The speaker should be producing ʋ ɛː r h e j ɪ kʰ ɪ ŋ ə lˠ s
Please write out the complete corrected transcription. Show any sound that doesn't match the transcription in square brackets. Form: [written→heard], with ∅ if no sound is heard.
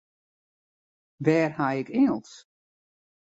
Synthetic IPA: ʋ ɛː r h [e→a] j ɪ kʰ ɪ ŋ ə lˠ s